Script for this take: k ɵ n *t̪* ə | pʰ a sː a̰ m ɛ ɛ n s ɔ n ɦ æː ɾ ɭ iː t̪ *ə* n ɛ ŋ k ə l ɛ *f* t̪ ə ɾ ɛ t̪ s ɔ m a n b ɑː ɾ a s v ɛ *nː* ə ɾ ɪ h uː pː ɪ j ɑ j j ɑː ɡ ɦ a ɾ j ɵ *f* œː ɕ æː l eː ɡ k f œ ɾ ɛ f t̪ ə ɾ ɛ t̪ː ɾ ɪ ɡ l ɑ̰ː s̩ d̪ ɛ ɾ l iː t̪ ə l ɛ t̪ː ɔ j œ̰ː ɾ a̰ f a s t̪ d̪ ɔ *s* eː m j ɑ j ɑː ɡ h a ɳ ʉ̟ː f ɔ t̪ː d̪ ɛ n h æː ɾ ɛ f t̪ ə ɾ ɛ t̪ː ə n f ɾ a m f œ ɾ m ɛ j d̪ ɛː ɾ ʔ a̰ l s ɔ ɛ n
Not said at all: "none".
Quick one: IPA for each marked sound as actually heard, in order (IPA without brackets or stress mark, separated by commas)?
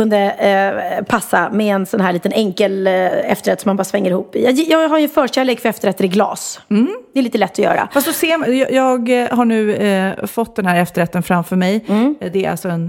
d̪, ə, f, ŋː, f, s